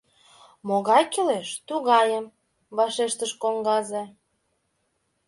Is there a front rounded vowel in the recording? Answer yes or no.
no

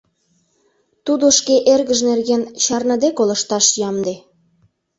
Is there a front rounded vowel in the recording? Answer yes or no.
no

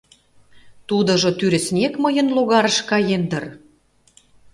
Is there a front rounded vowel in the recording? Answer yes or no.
yes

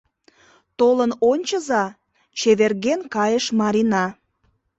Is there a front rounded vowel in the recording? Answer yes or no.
no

